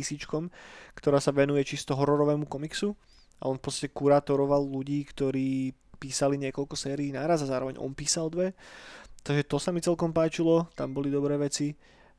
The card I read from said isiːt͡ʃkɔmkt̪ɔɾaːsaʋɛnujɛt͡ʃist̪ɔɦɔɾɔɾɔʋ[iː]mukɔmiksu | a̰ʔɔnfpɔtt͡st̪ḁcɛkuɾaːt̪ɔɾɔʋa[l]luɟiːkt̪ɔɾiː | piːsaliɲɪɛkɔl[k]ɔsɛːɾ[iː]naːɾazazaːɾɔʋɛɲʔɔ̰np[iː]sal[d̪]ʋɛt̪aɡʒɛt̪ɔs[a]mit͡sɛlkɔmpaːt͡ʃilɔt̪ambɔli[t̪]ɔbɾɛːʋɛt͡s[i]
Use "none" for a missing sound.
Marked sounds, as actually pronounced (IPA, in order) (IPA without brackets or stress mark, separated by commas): ɛː, l, k, iː, iː, d̪, a, d̪, i